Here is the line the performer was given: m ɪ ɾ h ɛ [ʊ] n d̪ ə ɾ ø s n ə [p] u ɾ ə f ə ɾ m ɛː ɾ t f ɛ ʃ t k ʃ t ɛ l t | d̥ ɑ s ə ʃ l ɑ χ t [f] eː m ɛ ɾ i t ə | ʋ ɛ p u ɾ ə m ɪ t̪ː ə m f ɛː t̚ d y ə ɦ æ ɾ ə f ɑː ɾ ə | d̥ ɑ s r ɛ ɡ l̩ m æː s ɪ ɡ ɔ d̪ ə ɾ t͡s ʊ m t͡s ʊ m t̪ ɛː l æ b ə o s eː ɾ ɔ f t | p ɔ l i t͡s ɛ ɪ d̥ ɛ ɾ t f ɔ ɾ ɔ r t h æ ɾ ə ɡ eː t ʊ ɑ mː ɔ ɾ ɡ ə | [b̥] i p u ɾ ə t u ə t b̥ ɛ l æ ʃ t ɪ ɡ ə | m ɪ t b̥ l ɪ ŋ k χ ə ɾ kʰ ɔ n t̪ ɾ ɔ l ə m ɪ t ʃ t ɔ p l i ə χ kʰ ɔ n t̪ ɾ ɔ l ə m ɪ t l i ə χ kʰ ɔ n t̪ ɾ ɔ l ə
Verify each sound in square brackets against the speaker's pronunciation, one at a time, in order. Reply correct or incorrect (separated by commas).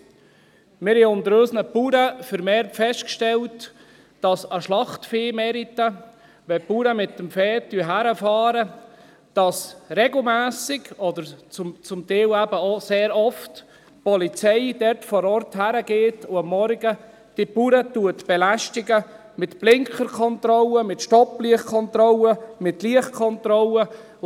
correct, correct, correct, incorrect